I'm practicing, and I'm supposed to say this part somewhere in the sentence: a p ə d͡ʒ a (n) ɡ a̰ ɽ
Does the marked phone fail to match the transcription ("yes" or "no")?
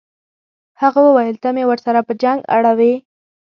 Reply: yes